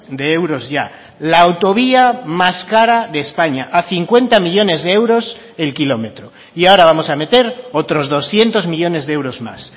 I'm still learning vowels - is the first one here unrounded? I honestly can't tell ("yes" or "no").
yes